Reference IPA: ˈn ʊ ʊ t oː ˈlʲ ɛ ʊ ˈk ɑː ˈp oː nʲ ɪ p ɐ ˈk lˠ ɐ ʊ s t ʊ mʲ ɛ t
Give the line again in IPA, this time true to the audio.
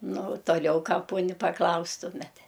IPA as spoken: ˈn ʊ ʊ t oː ˈlʲ ɛ ʊ ˈk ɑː ˈp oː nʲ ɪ p ɐ ˈk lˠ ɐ ʊ s t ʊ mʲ ɛ t